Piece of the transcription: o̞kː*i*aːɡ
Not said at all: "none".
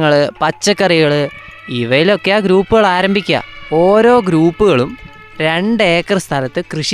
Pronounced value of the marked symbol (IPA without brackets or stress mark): e